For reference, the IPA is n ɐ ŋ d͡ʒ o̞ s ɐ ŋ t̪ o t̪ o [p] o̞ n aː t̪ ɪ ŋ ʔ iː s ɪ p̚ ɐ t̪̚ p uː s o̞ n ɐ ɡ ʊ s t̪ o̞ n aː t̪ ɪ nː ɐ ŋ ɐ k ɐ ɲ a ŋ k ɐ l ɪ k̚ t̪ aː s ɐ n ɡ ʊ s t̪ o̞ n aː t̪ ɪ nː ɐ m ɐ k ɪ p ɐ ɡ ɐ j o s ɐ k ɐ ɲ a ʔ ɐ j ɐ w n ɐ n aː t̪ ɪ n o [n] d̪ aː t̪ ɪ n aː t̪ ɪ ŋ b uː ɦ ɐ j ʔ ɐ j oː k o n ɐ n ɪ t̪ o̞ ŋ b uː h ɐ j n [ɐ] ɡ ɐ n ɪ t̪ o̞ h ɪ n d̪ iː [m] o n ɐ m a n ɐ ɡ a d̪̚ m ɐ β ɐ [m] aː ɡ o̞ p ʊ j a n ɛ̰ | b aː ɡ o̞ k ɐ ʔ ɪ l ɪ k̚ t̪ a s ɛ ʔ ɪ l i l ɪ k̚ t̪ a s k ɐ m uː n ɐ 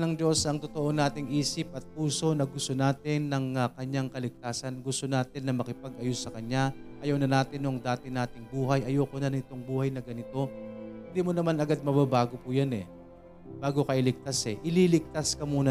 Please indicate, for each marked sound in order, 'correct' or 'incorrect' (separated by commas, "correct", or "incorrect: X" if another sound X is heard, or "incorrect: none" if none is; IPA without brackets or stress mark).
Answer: incorrect: ʔ, incorrect: ŋ, correct, correct, incorrect: b